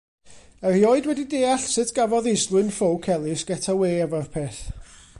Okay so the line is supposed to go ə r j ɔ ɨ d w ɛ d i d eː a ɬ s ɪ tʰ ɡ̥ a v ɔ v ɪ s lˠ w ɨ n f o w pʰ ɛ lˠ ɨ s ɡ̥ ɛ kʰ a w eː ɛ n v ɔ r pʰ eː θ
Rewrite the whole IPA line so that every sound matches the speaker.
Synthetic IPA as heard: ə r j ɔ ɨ d w ɛ d i d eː a ɬ s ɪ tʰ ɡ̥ a v ɔ ð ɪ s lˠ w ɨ n f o w kʰ ɛ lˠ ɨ s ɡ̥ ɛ tʰ a w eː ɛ v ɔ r pʰ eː θ